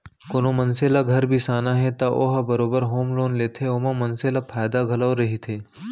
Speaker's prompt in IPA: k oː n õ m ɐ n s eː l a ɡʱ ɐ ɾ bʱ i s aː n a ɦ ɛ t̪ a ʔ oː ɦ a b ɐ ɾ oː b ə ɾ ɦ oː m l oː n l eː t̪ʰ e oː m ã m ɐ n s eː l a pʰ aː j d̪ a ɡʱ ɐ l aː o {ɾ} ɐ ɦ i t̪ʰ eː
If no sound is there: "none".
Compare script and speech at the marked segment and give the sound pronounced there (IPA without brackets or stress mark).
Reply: ɾ